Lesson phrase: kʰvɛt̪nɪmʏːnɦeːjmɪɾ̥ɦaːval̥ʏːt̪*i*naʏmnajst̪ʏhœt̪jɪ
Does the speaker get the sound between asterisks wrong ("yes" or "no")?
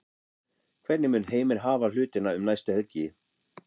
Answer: yes